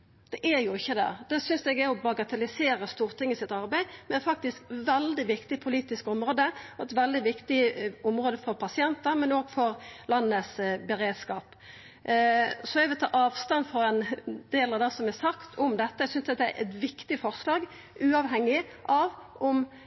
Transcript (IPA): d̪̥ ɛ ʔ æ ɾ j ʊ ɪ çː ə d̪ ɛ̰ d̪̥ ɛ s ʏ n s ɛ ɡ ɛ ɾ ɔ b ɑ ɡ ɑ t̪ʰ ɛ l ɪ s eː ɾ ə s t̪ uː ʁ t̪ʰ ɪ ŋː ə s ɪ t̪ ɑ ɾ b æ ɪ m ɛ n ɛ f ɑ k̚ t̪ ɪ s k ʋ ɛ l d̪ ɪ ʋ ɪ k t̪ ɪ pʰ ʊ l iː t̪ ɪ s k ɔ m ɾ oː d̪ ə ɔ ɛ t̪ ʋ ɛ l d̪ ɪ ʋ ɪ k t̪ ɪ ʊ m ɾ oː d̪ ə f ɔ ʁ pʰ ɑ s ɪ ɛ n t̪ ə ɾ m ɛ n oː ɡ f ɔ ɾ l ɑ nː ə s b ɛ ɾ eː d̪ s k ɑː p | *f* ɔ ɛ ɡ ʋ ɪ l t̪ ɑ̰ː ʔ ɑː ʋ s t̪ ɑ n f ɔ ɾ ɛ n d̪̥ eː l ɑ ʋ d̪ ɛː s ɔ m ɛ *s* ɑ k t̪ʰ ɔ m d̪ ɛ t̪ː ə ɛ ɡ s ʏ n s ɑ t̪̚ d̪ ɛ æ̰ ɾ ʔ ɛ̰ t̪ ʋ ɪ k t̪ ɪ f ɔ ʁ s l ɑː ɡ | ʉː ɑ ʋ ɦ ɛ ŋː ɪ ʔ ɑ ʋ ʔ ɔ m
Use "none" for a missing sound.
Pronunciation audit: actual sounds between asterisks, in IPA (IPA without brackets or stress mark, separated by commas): s, s